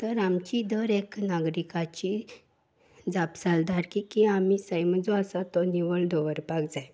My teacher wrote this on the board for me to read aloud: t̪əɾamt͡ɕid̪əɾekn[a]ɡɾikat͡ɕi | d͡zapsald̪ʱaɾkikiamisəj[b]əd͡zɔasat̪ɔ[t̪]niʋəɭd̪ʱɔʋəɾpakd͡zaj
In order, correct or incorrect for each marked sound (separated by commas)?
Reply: correct, incorrect, incorrect